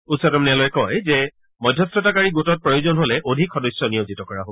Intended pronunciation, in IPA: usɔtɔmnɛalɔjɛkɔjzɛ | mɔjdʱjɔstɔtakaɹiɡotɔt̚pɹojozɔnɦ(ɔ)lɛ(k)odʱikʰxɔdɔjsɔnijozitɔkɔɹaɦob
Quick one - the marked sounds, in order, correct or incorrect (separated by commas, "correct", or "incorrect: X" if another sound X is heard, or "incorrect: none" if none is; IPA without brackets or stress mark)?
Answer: incorrect: o, incorrect: ʔ